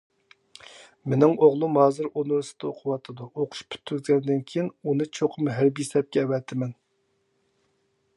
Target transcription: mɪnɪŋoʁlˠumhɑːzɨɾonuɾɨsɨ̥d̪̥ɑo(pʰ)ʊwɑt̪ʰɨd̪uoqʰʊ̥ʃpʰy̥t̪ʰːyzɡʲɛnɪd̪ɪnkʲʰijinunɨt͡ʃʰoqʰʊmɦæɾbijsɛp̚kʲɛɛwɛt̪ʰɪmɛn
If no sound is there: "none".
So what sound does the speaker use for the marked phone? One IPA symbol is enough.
qʰ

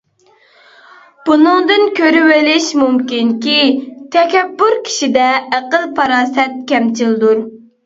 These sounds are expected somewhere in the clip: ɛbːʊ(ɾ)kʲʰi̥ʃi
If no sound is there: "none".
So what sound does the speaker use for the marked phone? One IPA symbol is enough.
ɾ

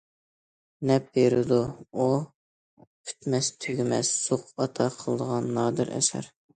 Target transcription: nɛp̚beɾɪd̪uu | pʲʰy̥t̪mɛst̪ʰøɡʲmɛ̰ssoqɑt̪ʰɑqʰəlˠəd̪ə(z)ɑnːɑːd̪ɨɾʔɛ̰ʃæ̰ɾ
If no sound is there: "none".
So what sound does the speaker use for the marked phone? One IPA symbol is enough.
ʁ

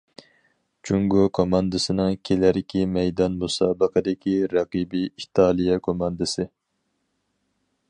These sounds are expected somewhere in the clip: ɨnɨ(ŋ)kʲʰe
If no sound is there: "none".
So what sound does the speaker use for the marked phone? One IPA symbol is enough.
ŋ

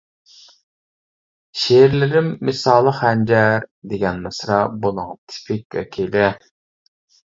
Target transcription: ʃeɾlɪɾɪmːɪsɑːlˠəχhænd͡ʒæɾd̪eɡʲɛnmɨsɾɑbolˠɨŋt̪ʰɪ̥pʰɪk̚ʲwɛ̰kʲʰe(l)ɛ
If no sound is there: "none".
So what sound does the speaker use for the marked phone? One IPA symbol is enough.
l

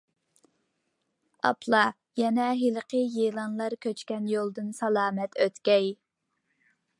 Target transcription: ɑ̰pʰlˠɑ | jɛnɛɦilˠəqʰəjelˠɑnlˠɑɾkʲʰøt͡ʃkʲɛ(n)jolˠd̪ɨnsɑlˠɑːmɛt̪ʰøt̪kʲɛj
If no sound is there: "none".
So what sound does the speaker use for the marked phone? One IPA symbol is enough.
n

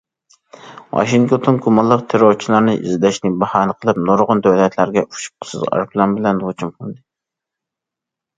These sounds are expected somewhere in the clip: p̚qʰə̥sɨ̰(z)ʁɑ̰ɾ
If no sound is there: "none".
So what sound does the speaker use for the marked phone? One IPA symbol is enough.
z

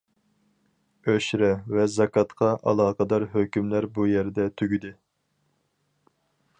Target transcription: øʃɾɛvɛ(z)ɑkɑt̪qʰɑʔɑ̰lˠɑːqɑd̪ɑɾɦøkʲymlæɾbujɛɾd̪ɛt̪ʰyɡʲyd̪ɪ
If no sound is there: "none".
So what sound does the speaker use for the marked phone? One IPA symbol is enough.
z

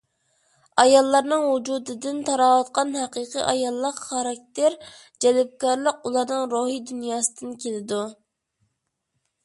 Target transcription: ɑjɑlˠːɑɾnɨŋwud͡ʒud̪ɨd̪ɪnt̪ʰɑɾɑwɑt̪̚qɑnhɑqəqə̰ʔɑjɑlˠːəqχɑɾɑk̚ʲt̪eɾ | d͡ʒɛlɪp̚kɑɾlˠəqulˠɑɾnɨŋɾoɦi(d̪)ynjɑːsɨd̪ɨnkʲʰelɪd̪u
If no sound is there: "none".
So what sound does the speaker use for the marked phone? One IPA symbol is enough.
d̪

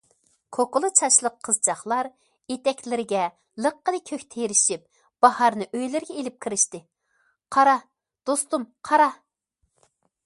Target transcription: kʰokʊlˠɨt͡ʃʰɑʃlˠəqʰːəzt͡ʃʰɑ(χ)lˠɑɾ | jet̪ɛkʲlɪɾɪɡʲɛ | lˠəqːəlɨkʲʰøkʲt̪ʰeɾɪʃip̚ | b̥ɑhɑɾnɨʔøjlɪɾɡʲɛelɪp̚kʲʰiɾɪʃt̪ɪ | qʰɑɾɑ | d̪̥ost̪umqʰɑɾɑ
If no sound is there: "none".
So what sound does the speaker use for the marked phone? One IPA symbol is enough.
χ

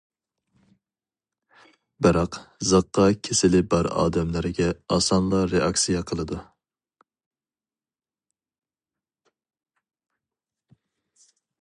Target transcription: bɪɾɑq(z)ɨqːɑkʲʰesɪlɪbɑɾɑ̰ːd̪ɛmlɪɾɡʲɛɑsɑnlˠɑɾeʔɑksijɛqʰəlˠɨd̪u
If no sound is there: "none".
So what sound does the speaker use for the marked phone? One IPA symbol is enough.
z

